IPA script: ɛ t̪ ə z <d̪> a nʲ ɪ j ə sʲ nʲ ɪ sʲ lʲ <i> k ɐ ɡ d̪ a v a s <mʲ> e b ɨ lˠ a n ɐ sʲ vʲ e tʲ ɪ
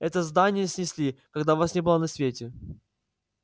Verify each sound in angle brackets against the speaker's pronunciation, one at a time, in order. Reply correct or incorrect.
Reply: correct, correct, incorrect: nʲ

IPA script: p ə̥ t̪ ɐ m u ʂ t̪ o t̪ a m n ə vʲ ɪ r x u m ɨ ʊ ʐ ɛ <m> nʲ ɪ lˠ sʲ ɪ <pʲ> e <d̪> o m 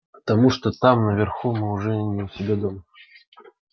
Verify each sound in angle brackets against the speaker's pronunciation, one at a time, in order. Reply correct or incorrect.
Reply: incorrect: none, incorrect: bʲ, correct

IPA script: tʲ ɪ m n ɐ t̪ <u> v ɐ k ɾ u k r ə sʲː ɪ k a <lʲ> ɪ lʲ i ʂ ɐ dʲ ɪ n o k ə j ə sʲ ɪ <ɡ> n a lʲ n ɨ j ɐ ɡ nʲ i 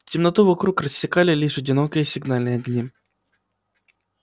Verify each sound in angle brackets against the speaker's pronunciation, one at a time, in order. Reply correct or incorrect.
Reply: correct, correct, correct

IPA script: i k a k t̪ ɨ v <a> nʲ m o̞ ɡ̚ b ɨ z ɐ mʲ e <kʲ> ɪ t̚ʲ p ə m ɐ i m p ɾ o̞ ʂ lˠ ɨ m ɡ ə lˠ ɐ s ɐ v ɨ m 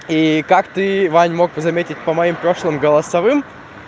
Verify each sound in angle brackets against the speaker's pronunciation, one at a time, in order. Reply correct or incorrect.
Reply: correct, incorrect: tʲ

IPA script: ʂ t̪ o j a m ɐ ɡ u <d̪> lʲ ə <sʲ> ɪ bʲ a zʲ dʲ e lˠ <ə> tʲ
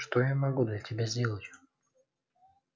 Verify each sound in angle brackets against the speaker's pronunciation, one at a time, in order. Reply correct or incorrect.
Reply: correct, incorrect: tʲ, correct

